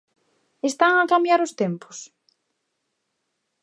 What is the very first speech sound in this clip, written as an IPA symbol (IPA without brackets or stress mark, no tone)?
e